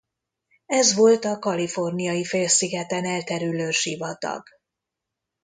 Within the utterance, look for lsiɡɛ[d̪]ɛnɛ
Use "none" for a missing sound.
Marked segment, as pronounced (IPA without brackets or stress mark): t̪